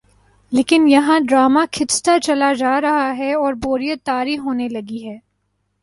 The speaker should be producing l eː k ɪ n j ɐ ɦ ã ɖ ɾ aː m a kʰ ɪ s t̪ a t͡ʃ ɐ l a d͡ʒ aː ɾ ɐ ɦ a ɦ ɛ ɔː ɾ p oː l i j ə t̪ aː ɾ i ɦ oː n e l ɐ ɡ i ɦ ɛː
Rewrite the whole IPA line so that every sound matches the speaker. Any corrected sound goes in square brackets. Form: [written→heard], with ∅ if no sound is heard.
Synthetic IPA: l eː k ɪ n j ɐ ɦ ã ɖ ɾ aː m a kʰ ɪ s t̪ a t͡ʃ ɐ l a d͡ʒ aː ɾ ɐ ɦ a ɦ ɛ ɔː ɾ [p→b] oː [l→ɾ] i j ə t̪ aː ɾ i ɦ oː n e l ɐ ɡ i ɦ ɛː